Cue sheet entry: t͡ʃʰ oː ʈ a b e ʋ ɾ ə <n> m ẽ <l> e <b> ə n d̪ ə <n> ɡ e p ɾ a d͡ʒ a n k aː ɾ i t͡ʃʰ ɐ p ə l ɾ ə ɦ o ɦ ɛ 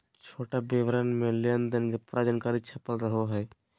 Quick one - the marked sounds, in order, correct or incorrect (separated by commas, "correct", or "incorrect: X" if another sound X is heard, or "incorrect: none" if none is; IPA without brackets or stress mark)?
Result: correct, correct, incorrect: none, correct